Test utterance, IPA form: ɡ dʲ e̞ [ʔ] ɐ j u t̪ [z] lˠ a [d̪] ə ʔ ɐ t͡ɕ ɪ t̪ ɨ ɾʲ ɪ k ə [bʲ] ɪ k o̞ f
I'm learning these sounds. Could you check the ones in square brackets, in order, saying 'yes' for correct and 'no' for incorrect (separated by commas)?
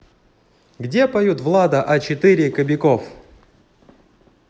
no, no, yes, yes